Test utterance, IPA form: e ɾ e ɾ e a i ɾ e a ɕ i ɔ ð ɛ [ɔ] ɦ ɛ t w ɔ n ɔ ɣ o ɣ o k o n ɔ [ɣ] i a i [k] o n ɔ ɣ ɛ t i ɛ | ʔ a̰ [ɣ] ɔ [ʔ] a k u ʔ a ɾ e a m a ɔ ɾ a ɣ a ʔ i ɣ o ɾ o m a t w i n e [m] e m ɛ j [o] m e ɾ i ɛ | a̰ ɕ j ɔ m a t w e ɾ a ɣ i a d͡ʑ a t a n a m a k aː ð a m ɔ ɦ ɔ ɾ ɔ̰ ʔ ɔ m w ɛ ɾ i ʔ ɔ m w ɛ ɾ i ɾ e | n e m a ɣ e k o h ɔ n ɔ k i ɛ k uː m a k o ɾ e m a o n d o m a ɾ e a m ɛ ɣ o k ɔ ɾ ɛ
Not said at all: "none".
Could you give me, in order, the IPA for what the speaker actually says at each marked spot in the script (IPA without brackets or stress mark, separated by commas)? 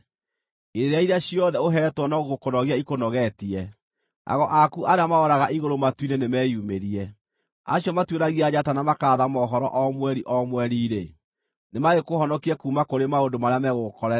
o, ɣ, k, ɣ, ʔ, n, u